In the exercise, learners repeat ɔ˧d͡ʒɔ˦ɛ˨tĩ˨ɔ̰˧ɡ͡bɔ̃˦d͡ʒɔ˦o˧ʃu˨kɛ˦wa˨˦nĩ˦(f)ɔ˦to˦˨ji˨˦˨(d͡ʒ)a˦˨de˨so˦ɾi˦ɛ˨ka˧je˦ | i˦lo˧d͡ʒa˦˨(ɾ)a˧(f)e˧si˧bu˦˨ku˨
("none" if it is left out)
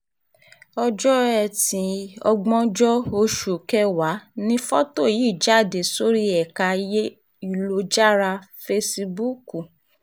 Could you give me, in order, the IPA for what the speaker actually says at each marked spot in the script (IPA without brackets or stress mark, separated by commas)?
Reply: f, d͡ʒ, ɾ, f